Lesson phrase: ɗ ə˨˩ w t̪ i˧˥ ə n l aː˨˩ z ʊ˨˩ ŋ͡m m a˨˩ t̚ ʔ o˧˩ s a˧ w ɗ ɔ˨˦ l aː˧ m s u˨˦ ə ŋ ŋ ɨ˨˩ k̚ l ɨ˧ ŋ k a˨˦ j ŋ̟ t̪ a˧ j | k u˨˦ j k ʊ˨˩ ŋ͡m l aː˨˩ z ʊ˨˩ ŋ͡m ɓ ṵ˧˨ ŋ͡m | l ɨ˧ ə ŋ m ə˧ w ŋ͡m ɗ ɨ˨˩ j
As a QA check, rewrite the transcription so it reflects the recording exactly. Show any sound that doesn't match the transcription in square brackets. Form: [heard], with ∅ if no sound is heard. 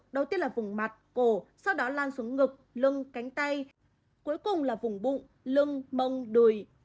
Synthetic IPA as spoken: ɗ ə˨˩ w t̪ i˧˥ ə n l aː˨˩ [v] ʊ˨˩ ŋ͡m m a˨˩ t̚ [k] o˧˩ s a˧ w ɗ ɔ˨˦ l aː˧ [n] s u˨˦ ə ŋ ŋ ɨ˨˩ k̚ l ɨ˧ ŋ k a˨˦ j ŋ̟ t̪ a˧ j | k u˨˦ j k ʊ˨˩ ŋ͡m l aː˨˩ [v] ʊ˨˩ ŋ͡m ɓ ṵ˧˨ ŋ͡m | l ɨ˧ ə ŋ m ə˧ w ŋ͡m ɗ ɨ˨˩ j